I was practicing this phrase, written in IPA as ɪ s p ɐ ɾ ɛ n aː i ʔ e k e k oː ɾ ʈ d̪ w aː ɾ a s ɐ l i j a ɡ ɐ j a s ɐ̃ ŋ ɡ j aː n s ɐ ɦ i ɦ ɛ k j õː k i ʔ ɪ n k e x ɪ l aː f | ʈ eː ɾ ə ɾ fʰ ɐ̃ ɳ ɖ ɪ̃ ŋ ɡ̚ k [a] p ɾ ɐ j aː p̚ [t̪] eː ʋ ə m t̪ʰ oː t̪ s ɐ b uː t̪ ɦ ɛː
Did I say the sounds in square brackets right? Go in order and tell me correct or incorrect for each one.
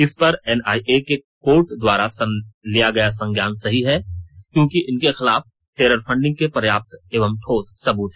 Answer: incorrect, correct

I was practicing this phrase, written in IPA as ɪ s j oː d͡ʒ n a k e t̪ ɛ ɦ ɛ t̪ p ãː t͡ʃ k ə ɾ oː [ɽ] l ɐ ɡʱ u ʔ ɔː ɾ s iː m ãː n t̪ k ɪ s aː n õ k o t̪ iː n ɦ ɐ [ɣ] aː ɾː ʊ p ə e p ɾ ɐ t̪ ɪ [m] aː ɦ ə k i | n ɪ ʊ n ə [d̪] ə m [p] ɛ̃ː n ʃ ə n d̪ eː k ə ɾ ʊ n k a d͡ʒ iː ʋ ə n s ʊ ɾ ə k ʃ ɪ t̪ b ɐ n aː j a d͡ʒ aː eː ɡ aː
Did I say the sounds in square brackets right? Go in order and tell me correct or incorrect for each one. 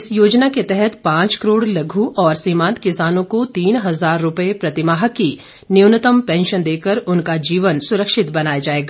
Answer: correct, incorrect, correct, incorrect, correct

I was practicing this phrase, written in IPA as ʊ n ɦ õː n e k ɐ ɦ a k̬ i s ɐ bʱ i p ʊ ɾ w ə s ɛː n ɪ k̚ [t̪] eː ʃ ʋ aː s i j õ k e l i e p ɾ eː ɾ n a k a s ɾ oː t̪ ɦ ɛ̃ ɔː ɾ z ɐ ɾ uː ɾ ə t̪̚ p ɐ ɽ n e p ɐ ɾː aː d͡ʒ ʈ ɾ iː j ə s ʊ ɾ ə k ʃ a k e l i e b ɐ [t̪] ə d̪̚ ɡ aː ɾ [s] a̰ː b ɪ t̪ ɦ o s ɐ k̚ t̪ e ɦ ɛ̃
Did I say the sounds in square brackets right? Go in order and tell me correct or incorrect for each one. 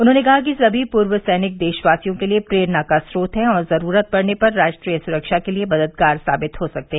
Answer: incorrect, incorrect, correct

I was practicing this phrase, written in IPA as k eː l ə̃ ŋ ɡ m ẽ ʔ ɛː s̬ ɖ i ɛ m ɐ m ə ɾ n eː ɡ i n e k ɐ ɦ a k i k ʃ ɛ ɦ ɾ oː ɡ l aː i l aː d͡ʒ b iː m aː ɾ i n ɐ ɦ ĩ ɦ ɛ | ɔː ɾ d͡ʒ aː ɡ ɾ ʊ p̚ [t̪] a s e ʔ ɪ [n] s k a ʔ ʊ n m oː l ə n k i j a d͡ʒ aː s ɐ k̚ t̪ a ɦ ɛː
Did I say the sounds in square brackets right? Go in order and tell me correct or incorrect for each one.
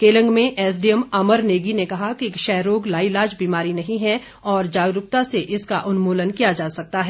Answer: correct, incorrect

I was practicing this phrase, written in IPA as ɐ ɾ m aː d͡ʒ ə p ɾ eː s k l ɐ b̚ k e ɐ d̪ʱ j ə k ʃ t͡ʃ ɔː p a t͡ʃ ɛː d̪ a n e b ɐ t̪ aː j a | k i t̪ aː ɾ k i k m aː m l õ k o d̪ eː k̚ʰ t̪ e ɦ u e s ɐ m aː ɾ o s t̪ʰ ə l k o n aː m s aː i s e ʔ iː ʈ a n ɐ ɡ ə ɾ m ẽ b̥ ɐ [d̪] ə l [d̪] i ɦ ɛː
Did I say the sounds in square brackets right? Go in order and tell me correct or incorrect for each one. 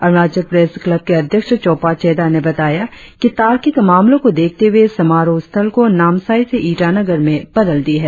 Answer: correct, correct

